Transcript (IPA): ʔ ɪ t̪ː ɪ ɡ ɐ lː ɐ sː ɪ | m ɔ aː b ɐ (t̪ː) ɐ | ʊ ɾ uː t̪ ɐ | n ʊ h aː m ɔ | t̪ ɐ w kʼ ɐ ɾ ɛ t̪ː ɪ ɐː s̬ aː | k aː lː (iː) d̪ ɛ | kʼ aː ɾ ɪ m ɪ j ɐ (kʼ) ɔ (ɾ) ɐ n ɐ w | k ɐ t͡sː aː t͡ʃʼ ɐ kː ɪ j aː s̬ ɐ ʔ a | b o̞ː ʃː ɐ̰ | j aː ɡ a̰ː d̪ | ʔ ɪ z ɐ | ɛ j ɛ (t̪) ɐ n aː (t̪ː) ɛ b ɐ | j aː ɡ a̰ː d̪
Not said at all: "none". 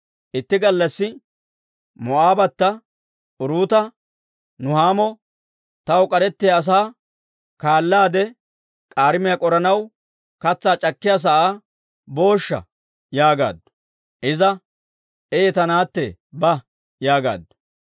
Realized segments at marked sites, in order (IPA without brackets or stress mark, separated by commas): t̪ː, aː, kʼ, ɾ, t̪, t̪ː